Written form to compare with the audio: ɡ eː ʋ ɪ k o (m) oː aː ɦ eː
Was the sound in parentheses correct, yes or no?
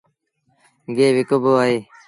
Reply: no